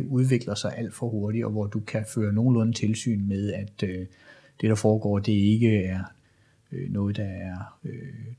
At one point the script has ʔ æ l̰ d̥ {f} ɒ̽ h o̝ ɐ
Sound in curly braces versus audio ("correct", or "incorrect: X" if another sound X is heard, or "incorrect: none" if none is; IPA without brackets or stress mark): correct